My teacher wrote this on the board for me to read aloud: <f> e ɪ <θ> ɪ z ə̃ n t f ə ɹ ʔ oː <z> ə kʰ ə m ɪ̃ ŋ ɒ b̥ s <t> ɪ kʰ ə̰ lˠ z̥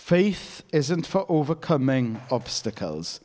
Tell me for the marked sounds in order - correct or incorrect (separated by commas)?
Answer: correct, correct, incorrect, correct